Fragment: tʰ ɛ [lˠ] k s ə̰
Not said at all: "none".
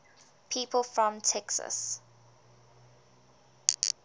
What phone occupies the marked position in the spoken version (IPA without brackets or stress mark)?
none